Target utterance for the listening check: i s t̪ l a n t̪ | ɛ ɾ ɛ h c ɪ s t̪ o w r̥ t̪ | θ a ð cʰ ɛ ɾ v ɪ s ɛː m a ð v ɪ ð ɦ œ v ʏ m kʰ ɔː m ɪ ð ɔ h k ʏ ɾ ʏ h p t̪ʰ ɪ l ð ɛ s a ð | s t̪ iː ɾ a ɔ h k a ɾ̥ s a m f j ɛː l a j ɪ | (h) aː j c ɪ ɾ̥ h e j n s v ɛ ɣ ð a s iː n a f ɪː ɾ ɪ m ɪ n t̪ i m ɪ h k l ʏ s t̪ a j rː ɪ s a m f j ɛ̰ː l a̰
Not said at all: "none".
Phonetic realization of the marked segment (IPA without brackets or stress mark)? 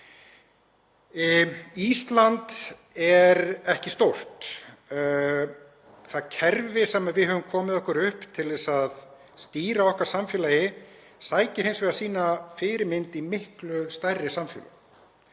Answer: s